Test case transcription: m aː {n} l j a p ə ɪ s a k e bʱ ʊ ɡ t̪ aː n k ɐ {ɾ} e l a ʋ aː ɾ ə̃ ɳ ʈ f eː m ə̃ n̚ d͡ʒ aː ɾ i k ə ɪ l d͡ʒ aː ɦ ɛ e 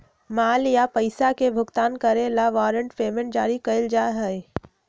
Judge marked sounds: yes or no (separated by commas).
no, yes